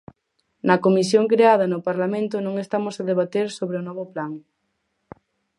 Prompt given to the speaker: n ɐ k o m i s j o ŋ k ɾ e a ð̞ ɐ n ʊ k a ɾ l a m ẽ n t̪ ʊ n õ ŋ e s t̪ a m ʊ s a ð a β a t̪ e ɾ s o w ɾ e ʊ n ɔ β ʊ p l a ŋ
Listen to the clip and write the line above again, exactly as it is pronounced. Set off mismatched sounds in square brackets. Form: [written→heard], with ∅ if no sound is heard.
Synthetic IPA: n ɐ k o m i s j o ŋ k ɾ e a ð̞ ɐ n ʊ [k→p] a ɾ l a m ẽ n t̪ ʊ n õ ŋ e s t̪ a m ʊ s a ð [a→e] β a t̪ e ɾ s o [w→β] ɾ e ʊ n ɔ β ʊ p l a ŋ